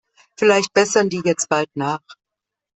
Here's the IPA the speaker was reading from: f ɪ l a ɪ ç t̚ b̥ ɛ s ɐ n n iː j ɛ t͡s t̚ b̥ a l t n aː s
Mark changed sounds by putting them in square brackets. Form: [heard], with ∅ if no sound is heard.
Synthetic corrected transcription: f ɪ l a ɪ ç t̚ b̥ ɛ s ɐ n [d] iː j ɛ t͡s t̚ b̥ a l t n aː [χ]